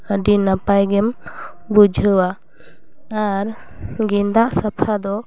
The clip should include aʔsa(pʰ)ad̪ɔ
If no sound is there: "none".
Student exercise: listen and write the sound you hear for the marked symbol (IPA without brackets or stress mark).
pʰ